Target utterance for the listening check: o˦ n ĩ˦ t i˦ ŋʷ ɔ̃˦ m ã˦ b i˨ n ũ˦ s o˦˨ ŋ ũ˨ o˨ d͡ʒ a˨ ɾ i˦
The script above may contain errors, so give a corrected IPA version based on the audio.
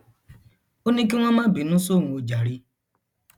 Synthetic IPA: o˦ n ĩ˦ k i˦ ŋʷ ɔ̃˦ m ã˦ b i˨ n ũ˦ s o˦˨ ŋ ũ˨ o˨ d͡ʒ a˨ ɾ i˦